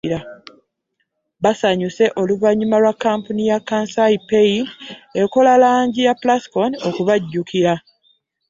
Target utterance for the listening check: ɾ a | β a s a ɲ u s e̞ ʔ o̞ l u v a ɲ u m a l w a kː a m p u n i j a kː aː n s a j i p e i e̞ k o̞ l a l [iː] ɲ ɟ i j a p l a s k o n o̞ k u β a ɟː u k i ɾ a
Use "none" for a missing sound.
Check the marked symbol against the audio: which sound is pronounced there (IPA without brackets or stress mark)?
aː